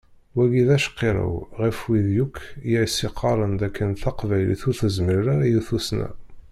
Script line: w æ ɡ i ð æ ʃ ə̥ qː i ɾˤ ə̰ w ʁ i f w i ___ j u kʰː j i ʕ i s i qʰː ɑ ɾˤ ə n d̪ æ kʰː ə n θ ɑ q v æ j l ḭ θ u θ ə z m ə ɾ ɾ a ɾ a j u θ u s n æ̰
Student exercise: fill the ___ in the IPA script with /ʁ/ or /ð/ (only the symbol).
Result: ð